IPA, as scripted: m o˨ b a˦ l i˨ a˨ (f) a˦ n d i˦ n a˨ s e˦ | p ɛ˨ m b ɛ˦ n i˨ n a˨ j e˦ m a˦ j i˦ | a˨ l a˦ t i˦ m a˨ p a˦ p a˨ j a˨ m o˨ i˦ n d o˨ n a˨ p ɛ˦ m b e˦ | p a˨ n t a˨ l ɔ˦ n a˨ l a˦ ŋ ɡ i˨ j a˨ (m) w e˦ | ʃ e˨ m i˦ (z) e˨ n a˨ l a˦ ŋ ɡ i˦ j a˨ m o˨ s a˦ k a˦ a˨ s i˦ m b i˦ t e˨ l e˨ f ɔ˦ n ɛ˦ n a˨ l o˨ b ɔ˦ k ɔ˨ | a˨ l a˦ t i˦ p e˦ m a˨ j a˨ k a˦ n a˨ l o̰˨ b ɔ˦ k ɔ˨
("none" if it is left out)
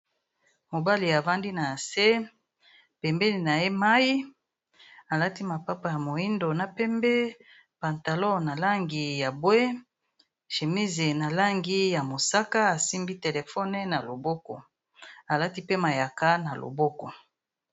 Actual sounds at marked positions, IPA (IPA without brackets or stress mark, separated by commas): v, b, z